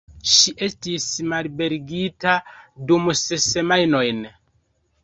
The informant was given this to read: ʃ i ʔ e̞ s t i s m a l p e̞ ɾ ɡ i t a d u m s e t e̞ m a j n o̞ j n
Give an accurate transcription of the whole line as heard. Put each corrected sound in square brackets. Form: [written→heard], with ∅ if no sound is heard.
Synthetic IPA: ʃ i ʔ e̞ s t i s m a l [p→b] e̞ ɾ ɡ i t a d u m s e [t→s] e̞ m a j n o̞ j n